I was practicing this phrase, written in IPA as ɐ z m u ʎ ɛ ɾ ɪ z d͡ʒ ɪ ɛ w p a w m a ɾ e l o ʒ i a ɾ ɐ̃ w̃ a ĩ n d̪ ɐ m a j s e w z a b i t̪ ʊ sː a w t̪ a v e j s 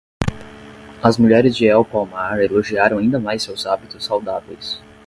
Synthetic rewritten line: ɐ z m u ʎ ɛ ɾ ɪ z d͡ʒ ɪ ɛ w p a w m a ɾ e l o ʒ i a ɾ ɐ̃ w̃ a ĩ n d̪ ɐ m a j s e w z a b i t̪ ʊ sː a w d̪ a v e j s